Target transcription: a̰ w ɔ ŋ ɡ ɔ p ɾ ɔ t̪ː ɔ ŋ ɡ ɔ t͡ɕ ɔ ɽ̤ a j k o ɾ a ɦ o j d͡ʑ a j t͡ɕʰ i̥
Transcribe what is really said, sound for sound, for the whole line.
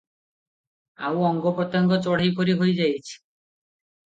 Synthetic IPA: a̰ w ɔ ŋ ɡ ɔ p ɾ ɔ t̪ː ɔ ŋ ɡ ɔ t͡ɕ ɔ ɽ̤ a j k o ɾ i ɦ o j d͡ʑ a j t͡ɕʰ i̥